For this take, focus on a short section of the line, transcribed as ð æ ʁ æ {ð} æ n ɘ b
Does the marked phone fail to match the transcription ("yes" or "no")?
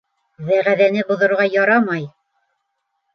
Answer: no